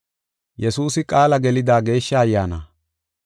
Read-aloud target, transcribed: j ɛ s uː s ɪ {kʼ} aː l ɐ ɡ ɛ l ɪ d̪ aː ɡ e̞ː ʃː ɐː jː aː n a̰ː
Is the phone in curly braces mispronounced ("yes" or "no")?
no